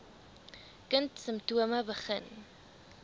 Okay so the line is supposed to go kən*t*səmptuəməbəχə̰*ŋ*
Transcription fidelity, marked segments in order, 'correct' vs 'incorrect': correct, incorrect: n

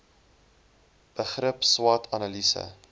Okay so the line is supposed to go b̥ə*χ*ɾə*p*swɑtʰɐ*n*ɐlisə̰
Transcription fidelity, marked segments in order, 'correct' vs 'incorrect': correct, correct, correct

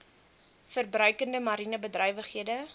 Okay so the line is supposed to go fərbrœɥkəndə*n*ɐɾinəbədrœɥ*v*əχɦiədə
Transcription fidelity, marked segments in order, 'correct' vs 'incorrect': incorrect: m, correct

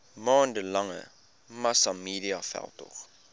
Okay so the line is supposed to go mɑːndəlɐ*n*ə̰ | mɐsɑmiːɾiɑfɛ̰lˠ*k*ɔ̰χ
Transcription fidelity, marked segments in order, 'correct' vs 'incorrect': incorrect: ŋ, incorrect: t

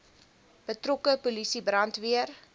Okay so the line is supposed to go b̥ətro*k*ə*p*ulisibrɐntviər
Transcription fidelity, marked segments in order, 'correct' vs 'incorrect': correct, correct

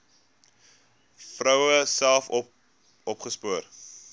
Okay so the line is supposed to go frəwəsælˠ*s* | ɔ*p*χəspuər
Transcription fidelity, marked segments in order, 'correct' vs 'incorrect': incorrect: f, correct

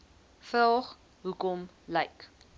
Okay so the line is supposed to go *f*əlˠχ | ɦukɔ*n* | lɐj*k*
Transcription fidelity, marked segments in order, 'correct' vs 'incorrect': correct, incorrect: m, correct

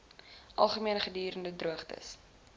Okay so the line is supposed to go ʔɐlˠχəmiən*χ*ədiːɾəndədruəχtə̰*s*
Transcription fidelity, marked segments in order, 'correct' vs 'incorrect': correct, correct

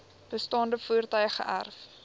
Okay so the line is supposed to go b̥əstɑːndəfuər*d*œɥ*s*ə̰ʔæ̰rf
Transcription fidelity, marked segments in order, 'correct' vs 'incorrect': incorrect: t, incorrect: χ

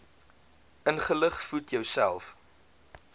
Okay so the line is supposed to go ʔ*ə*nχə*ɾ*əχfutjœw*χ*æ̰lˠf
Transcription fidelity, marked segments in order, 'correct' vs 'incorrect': correct, incorrect: l, incorrect: s

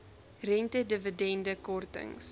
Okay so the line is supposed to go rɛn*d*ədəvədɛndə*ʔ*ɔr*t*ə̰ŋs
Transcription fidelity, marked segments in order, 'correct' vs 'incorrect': incorrect: t, incorrect: k, correct

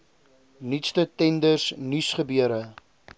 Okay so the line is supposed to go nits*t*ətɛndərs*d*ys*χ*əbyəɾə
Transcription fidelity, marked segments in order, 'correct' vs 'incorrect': correct, incorrect: n, correct

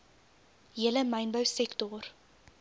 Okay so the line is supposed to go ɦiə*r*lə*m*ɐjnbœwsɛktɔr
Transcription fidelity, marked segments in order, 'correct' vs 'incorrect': incorrect: none, correct

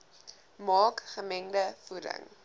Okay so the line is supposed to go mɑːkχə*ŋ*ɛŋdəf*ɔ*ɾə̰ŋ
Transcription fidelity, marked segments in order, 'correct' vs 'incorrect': incorrect: m, incorrect: u

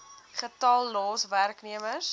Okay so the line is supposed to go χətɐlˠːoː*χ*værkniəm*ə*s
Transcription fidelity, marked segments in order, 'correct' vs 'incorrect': incorrect: s, correct

